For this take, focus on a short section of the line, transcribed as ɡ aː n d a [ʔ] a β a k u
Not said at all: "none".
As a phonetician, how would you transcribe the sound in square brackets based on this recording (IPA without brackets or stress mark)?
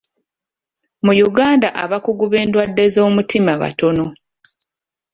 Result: ʔ